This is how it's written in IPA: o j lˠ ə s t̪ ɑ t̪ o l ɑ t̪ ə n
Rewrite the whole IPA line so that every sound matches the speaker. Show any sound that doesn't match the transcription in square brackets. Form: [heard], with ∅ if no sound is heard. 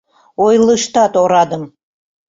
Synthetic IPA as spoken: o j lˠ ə [ʃ] t̪ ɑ t̪ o [ɾ] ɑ [d̪] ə [m]